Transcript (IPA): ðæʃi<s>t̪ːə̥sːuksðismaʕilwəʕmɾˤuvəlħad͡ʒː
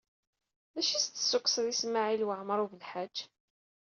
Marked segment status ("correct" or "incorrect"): correct